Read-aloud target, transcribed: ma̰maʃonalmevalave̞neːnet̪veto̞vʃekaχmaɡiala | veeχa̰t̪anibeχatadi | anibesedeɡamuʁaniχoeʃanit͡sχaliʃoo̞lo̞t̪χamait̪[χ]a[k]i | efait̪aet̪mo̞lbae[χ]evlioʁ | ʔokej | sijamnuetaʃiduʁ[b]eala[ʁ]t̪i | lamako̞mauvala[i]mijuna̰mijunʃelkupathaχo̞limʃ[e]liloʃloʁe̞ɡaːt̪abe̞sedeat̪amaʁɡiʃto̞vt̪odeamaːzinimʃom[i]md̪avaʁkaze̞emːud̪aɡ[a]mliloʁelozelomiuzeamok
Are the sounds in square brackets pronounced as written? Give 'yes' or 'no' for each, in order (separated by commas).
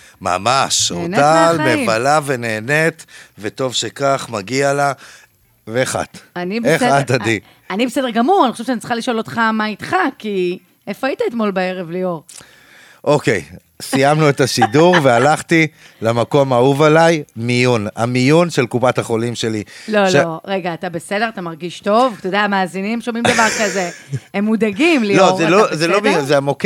yes, yes, no, no, no, no, yes, yes, no